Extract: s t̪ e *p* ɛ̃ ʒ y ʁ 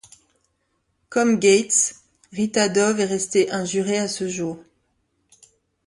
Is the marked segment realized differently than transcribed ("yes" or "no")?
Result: yes